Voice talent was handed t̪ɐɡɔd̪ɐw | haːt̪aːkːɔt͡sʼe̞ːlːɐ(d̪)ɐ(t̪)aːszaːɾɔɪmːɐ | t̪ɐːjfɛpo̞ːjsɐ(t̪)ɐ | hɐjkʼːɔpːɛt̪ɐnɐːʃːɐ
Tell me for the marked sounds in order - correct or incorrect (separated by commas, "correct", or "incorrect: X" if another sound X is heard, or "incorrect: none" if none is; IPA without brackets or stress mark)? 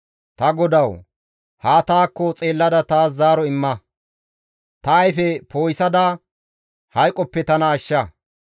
correct, correct, incorrect: d̪